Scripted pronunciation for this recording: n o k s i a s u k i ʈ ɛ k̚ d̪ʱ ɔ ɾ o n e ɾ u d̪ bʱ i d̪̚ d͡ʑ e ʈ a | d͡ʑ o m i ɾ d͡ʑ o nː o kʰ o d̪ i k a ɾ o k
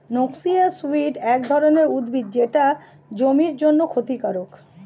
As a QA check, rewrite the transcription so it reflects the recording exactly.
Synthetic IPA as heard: n o k s i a s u i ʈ ɛ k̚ d̪ʱ ɔ ɾ o n e ɾ u d̪ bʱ i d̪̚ d͡ʑ e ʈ a | d͡ʑ o m i ɾ d͡ʑ o nː o kʰ o t̪ i k a ɾ o k